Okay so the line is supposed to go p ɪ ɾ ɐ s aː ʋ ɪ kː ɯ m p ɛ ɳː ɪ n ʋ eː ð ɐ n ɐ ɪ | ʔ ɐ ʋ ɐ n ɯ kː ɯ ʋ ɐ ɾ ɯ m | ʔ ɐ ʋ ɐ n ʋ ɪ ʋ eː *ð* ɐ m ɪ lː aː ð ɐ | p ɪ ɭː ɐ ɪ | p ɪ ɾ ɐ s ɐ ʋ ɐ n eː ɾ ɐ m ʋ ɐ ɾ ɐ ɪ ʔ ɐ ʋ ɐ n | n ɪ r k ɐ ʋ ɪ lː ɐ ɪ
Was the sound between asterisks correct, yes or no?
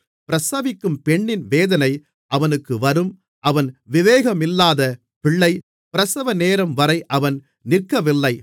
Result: no